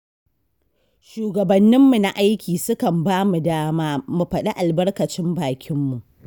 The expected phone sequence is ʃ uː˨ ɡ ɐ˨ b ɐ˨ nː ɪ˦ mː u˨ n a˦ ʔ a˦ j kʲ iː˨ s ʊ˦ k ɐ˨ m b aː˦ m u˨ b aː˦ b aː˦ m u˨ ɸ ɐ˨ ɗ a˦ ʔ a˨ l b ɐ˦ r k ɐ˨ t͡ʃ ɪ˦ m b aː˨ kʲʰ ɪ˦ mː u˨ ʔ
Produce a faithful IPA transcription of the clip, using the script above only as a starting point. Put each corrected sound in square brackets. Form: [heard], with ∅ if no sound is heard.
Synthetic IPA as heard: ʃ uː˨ ɡ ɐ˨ b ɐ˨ nː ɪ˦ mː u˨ n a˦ ʔ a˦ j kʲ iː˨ s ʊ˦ k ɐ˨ m b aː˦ m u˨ [d] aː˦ [m] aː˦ m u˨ ɸ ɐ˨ ɗ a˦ ʔ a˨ l b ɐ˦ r k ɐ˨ t͡ʃ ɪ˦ m b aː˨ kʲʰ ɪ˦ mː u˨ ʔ